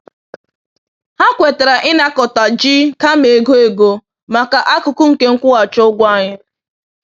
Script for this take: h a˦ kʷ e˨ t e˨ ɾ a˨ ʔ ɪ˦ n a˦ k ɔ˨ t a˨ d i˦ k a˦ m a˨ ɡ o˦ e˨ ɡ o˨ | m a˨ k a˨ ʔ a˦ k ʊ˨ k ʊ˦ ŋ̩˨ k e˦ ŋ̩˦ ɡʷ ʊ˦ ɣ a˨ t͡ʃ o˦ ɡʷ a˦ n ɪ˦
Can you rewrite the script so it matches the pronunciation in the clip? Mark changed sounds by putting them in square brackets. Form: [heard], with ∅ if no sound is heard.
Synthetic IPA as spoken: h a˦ kʷ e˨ t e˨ ɾ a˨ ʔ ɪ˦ n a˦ k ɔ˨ t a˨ [d͡ʒ] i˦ k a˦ m [e˨] ɡ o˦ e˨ ɡ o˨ | m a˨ k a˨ ʔ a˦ k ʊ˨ k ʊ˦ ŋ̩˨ k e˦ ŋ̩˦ [kʷ] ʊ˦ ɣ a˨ t͡ʃ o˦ ɡʷ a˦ [ɲ] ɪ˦